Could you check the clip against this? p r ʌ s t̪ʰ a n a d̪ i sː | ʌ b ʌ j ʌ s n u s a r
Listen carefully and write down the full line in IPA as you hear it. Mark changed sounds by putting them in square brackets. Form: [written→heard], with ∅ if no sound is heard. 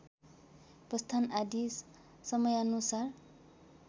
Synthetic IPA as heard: p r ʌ s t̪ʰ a n a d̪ i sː | ʌ [b→m] ʌ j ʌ [s→∅] n u s a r